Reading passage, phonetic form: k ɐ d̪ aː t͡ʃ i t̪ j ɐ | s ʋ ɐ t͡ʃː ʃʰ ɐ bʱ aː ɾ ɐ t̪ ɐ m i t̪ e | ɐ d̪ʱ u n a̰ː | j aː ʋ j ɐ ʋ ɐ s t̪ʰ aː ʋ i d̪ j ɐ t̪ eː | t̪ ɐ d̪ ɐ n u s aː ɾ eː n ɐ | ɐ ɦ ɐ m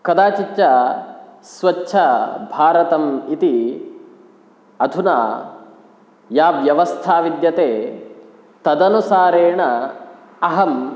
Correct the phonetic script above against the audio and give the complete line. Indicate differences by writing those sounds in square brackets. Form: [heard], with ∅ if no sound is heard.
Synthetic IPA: k ɐ d̪ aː t͡ʃ i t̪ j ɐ | s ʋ ɐ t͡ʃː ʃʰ ɐ bʱ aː ɾ ɐ t̪ ɐ m i t̪ [i] | ɐ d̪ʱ u n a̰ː | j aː ʋ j ɐ ʋ ɐ s t̪ʰ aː ʋ i d̪ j ɐ t̪ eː | t̪ ɐ d̪ ɐ n u s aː ɾ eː [ɳ] ɐ | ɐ ɦ ɐ m